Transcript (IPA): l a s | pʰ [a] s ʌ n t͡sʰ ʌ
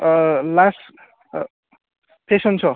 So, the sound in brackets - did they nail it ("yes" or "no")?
no